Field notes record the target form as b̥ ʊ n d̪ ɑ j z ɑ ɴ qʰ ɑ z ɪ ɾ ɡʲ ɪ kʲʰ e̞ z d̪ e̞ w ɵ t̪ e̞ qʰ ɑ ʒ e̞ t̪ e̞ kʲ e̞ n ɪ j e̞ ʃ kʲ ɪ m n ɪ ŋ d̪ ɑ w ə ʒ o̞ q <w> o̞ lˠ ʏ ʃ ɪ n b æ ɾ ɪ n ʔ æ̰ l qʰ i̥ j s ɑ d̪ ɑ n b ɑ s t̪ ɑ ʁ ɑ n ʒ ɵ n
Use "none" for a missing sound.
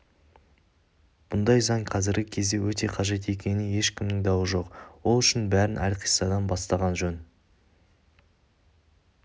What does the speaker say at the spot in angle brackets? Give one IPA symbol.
w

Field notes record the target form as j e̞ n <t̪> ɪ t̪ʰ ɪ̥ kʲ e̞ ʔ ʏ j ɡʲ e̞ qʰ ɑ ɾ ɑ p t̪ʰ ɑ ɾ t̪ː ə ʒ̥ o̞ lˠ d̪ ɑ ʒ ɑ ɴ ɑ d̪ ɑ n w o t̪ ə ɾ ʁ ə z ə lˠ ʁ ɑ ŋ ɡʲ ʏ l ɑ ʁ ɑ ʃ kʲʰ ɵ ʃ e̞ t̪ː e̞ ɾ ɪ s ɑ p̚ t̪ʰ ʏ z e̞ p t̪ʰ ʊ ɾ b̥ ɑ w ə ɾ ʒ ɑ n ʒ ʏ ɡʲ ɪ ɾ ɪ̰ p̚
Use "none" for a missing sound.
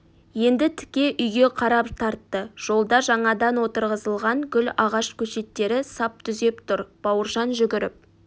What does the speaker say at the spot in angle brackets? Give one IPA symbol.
d̪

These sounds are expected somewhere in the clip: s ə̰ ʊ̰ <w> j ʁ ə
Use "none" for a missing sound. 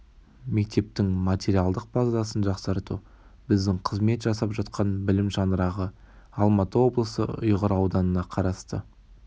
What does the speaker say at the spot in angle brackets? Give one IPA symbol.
none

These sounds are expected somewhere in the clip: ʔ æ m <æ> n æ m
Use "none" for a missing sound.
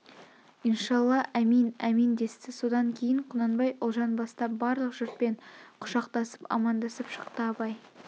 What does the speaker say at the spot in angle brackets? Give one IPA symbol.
i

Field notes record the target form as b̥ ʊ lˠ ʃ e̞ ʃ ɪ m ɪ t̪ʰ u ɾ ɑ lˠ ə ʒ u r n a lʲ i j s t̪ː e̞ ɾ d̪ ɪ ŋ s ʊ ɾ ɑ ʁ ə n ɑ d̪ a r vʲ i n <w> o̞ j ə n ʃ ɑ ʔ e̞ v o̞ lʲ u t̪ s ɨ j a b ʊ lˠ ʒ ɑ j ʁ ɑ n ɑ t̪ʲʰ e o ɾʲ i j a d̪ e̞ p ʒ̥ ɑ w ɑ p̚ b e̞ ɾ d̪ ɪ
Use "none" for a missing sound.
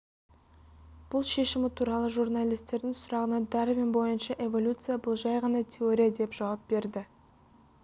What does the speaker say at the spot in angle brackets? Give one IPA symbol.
b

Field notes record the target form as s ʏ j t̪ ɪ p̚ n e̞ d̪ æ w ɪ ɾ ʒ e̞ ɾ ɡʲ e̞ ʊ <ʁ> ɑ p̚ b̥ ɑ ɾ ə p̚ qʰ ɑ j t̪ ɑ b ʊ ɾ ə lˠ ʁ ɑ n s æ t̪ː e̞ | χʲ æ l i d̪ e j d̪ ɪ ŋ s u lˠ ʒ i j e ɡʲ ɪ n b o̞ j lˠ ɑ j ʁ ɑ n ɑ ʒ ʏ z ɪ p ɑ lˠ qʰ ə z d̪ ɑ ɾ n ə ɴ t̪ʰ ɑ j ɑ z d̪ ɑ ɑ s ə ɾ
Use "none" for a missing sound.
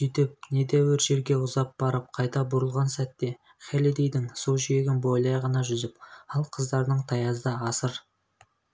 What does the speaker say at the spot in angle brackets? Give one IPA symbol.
z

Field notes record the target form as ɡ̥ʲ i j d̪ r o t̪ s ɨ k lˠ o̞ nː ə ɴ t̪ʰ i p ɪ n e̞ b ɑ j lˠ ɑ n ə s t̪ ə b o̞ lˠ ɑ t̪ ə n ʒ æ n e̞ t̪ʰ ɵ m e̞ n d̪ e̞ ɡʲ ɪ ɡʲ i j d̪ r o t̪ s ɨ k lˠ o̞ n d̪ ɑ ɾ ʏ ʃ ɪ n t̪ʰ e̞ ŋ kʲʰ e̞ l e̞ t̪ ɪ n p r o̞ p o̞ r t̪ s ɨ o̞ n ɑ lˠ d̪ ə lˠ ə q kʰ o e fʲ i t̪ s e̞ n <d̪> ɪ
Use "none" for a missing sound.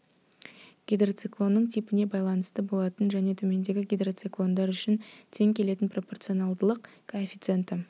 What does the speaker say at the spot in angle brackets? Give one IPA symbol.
t̪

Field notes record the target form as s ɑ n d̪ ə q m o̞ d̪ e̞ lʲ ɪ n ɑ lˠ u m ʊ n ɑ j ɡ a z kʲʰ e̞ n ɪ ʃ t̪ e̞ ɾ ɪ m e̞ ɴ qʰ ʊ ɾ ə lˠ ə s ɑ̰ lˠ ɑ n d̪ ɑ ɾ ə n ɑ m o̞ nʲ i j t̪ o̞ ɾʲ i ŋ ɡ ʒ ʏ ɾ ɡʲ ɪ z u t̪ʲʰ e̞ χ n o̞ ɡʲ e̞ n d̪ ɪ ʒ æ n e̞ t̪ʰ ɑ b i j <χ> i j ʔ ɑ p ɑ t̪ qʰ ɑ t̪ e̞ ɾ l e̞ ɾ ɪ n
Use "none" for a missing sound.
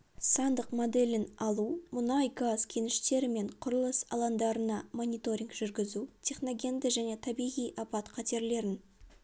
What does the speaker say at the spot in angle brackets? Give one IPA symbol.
ʁ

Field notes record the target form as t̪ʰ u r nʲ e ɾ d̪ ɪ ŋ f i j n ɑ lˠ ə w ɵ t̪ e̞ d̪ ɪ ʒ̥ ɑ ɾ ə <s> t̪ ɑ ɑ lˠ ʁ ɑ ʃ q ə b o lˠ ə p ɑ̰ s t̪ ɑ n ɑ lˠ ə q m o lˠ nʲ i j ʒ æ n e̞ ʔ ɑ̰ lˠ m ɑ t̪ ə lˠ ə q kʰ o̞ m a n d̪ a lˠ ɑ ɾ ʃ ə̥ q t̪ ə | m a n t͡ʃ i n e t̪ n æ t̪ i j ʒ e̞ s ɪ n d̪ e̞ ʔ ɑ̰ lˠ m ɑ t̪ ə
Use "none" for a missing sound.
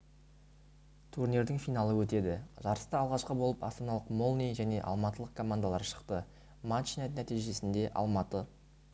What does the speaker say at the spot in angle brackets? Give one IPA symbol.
s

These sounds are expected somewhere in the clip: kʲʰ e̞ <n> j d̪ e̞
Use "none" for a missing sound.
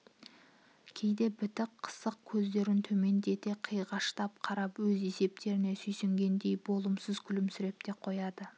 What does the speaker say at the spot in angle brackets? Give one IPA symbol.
none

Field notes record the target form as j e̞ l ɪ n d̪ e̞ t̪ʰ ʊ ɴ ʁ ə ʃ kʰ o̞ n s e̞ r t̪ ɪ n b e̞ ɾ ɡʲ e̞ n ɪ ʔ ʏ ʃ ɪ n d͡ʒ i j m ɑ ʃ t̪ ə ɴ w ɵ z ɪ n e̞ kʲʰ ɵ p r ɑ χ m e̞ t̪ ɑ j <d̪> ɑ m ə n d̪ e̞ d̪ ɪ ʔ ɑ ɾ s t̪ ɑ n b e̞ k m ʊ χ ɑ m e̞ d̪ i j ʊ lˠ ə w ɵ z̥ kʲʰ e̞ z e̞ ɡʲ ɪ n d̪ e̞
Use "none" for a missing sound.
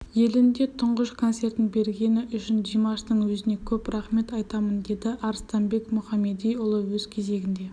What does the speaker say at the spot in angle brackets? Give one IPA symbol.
t̪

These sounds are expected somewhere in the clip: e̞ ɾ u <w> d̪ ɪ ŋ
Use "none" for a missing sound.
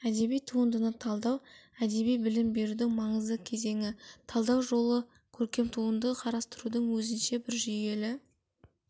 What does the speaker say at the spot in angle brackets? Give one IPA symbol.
none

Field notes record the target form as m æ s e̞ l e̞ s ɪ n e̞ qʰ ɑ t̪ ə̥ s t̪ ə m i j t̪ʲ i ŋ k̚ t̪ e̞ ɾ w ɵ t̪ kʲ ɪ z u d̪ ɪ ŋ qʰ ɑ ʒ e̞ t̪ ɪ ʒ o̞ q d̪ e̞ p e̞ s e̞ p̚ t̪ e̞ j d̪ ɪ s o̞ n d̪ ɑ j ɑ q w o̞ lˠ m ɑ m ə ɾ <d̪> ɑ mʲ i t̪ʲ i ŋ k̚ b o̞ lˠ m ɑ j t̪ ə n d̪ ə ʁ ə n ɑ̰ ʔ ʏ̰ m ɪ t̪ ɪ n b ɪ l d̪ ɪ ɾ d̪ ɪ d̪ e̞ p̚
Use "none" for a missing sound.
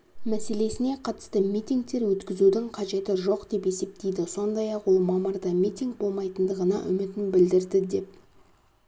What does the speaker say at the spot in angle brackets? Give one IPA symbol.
d̪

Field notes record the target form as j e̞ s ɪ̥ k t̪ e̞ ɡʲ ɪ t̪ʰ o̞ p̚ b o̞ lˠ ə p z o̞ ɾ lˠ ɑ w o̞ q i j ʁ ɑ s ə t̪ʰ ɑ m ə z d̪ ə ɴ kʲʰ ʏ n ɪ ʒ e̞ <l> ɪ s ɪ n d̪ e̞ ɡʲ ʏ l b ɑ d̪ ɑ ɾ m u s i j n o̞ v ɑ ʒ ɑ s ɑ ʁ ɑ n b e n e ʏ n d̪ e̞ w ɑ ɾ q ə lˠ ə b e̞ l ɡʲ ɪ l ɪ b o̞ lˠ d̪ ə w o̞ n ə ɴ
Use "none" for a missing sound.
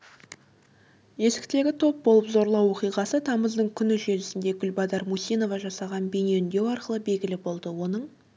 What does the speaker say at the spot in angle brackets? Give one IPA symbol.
l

